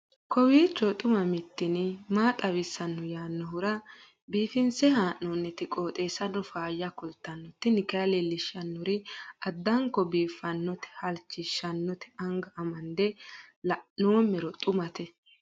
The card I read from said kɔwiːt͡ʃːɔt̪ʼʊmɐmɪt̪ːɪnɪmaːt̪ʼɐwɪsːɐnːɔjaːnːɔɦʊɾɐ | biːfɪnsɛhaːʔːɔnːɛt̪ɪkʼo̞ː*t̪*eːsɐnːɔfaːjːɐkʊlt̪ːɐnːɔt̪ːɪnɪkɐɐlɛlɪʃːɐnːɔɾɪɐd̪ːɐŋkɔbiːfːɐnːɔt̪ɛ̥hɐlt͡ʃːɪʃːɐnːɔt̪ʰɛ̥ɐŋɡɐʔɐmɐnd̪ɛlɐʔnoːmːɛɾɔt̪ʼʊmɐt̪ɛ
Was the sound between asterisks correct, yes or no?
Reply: no